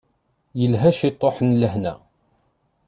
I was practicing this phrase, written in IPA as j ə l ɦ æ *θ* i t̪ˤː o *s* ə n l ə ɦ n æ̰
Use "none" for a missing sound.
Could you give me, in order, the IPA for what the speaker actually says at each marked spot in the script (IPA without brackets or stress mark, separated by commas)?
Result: ʃ, ħ